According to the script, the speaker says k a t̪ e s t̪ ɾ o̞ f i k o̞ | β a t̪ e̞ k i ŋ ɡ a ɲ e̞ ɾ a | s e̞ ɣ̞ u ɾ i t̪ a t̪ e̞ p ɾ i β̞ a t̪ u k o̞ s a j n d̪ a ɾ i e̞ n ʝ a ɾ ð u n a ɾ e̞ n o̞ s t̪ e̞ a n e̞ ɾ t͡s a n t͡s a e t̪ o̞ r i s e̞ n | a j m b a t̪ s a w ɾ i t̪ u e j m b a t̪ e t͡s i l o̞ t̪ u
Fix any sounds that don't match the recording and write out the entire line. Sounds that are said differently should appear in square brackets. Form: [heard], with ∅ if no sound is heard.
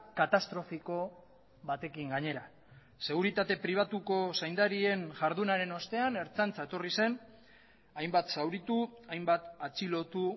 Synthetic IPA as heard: k a t̪ [a] s t̪ ɾ o̞ f i k o̞ | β a t̪ e̞ k i ŋ ɡ a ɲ e̞ ɾ a | s e̞ ɣ̞ u ɾ i t̪ a t̪ e̞ p ɾ i β̞ a t̪ u k o̞ s a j n d̪ a ɾ i e̞ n ʝ a ɾ ð u n a ɾ e̞ n o̞ s t̪ e̞ a n e̞ ɾ t͡s a n t͡s a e t̪ o̞ r i s e̞ n | a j m b a t̪ s a w ɾ i t̪ u [a] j m b a t̪ [a] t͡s i l o̞ t̪ u